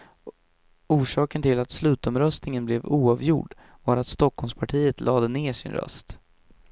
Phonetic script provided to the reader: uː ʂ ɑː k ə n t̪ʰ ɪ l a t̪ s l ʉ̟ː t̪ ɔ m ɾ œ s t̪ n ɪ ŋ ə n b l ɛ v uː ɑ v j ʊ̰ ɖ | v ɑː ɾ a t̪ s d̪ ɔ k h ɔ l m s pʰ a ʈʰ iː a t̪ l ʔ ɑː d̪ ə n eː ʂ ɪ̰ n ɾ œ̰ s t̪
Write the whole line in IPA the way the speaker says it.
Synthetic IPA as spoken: uː ʂ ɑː k ə n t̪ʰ ɪ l a t̪ s l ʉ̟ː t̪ ɔ m ɾ œ s t̪ n ɪ ŋ ə n b l ɛ v uː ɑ v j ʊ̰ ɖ | v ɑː ɾ a t̪ s t̪ ɔ k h ɔ l m s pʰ a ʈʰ iː ə t̪ l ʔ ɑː d̪ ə n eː ʂ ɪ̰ n ɾ œ̰ s t̪